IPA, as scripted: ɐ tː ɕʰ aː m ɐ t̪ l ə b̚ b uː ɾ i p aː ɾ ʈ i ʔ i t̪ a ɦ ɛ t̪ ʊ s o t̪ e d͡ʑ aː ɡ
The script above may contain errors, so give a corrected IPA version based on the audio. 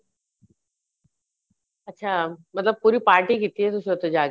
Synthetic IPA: ɐ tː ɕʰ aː m ɐ t̪ l ə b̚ p uː ɾ i p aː ɾ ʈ i k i t̪ i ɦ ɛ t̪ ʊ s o t̪ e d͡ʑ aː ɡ

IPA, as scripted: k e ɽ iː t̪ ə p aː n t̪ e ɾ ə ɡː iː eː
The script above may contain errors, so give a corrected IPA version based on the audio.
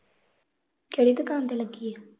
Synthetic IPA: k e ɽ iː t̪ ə k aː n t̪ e l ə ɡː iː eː

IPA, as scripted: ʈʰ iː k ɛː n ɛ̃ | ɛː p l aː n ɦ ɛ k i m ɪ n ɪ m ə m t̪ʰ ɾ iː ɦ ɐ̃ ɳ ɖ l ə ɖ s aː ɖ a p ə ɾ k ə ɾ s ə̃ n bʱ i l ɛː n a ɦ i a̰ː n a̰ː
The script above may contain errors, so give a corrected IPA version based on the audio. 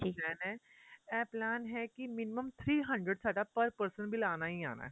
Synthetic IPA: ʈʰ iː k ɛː n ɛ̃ | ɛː p l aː n ɦ ɛ k i m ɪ n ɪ m ə m t̪ʰ ɾ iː ɦ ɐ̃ ɳ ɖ ɾ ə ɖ s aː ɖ a p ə ɾ p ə ɾ s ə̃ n bʱ i l aː n a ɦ i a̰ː n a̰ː

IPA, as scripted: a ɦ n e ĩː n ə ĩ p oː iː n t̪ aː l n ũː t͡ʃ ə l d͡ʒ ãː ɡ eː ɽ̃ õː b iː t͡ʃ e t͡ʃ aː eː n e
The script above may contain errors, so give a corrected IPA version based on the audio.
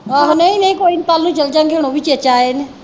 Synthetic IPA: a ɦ n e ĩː n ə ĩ k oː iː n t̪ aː l n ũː t͡ʃ ə l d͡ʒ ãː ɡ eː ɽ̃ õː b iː t͡ʃ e t͡ʃ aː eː n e

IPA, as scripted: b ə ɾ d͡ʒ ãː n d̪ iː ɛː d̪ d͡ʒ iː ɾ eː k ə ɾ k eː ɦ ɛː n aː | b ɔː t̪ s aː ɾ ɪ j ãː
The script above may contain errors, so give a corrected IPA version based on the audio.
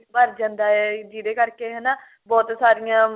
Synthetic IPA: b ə ɾ d͡ʒ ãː n d̪ aː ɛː d͡ʒ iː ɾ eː k ə ɾ k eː ɦ ɛː n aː | b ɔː t̪ s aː ɾ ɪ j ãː

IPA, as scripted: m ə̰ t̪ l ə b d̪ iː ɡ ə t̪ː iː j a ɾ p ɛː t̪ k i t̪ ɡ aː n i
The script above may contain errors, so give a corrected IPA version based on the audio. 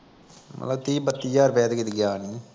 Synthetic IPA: m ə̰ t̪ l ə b t̪ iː b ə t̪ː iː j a ɾ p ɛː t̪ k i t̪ ɡ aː n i

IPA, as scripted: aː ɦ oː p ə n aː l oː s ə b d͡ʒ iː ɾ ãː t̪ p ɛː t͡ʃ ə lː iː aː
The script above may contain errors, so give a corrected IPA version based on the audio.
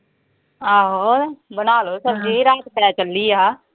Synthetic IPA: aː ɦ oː b ə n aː l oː s ə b d͡ʒ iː ɾ aː t̪ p ɛː t͡ʃ ə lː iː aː

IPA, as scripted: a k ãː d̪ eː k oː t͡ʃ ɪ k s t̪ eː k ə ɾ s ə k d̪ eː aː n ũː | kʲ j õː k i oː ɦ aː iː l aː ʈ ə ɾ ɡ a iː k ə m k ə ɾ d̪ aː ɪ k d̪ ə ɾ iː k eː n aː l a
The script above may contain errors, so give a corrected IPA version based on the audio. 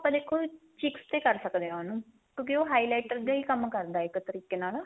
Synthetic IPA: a p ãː d̪ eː kʰ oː t͡ʃ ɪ k s t̪ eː k ə ɾ s ə k d̪ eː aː n ũː | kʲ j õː k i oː ɦ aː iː l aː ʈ ə ɾ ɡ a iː k ə m k ə ɾ d̪ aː ɪ k t̪ ə ɾ iː k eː n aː l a

